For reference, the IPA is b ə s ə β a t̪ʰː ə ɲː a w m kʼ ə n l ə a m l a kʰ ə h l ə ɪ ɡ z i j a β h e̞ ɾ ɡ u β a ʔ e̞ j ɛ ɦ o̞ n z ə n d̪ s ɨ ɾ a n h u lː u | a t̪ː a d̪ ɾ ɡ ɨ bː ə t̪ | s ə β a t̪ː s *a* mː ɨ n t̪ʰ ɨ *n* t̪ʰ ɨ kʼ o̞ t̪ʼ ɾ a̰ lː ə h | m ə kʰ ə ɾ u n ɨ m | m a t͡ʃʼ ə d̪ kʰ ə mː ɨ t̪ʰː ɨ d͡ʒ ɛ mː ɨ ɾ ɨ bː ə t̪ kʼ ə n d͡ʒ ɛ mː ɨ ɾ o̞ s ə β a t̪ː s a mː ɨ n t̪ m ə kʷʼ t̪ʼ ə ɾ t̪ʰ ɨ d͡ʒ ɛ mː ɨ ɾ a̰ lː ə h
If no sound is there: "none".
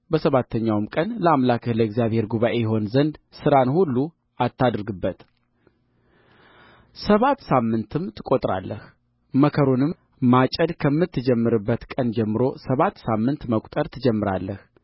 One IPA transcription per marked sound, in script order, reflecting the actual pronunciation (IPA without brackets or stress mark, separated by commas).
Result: a, m